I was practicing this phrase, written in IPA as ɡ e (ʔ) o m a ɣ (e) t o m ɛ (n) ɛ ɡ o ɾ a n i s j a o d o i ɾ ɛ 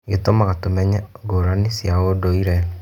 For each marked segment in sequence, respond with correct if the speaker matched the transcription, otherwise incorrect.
incorrect: t, incorrect: a, incorrect: ɲ

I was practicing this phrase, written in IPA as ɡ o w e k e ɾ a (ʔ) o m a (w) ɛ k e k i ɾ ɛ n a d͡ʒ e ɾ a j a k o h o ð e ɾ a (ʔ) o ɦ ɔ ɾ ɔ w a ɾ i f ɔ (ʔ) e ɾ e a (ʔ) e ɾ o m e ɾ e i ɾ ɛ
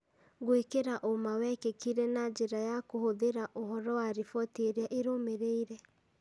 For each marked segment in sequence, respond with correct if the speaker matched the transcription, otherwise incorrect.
correct, correct, correct, incorrect: t, correct

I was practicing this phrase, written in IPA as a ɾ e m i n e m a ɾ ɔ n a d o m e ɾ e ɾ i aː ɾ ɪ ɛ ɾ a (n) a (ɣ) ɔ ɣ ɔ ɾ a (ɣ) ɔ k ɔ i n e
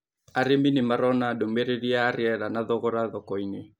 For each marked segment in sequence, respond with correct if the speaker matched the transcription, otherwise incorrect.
correct, incorrect: ð, incorrect: ð

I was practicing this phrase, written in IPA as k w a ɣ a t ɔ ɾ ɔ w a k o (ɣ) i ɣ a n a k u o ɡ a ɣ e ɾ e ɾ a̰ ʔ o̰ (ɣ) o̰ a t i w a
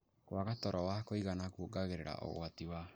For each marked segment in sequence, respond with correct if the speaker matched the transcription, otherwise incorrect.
incorrect: none, correct

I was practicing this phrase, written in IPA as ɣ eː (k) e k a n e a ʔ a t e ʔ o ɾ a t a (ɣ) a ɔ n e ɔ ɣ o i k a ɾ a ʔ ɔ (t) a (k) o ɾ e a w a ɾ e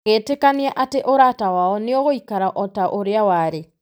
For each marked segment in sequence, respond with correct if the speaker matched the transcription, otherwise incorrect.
incorrect: t, incorrect: w, correct, incorrect: ʔ

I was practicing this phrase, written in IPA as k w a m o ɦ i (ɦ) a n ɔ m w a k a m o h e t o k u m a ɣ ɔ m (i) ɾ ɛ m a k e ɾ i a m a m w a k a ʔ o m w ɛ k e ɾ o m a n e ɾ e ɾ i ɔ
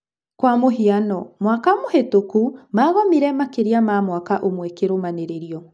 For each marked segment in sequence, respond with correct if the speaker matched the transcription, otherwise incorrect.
incorrect: none, correct

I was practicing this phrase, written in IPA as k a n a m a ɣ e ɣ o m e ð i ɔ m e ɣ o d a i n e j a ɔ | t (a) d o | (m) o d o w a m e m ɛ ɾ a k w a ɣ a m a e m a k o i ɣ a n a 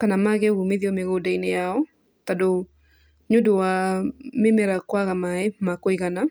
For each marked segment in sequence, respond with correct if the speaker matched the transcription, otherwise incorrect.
correct, incorrect: ɲ

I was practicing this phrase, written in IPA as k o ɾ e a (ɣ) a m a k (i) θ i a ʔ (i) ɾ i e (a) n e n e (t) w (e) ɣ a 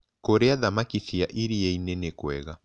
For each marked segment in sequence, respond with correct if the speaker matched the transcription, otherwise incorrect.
incorrect: ð, correct, correct, incorrect: i, incorrect: k, incorrect: ɛ

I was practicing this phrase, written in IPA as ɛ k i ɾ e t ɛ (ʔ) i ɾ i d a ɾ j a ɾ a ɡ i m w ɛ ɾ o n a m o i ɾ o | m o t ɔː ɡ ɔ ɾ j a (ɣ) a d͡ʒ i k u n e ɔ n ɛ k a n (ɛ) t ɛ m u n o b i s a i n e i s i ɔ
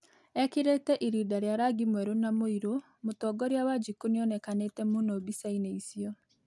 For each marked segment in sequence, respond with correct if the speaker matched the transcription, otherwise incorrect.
correct, incorrect: w, incorrect: e

